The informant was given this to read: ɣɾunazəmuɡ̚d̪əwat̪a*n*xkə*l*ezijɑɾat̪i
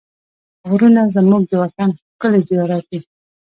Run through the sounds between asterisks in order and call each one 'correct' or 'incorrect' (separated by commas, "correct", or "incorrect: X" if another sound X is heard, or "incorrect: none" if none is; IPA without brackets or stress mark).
correct, correct